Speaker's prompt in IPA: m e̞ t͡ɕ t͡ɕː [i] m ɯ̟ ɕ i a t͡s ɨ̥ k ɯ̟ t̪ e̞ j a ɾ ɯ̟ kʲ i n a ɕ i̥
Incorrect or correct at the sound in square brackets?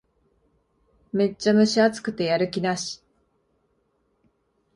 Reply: incorrect: a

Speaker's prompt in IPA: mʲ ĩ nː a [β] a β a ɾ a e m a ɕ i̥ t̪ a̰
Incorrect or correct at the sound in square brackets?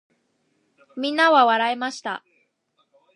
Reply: correct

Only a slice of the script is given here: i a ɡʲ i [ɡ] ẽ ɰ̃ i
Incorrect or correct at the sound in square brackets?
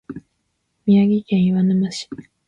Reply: incorrect: k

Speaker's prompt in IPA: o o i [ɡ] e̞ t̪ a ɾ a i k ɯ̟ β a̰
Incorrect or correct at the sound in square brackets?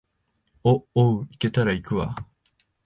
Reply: incorrect: k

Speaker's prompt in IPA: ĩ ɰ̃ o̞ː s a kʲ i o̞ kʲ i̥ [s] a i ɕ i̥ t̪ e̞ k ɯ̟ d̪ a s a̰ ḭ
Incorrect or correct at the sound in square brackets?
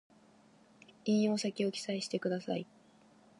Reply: correct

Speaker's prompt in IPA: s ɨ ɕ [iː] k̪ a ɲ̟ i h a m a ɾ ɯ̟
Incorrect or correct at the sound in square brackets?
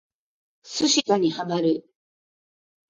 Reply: incorrect: i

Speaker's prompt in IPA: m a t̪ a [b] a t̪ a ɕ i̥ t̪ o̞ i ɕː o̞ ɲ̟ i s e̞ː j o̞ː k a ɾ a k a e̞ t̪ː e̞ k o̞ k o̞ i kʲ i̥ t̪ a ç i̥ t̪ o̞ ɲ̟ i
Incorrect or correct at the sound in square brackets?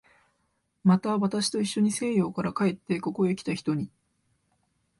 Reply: incorrect: β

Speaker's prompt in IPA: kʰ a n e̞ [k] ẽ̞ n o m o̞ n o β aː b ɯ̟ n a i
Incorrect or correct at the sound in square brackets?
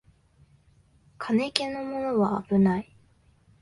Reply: correct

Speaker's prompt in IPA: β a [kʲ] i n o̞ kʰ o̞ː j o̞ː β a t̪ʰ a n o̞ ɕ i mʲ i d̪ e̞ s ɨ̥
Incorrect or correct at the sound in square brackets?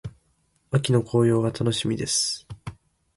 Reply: correct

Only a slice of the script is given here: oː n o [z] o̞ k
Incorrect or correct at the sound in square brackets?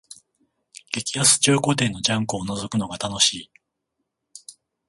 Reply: correct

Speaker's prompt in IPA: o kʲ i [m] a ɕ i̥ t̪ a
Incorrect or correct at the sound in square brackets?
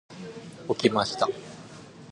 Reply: correct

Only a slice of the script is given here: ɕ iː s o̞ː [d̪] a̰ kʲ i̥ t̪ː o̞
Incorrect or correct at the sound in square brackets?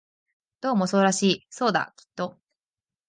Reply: correct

